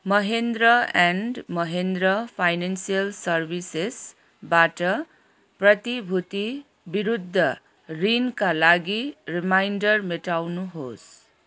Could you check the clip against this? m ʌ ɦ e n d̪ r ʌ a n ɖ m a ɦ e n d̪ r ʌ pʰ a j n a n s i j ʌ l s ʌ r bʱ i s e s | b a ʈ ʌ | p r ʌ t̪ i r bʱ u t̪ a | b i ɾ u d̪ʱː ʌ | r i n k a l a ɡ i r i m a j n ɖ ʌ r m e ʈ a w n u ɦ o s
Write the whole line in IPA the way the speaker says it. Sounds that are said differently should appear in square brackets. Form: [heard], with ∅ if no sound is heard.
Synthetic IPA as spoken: m ʌ ɦ e n d̪ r ʌ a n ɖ m [ʌ] ɦ e n d̪ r ʌ pʰ a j n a n s i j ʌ l s ʌ r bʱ i s e s | b a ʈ ʌ | p r ʌ t̪ i [∅] bʱ u t̪ [i] | b i ɾ u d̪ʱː ʌ | r i n k a l a ɡ i r i m a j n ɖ ʌ r m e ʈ a w n u ɦ o s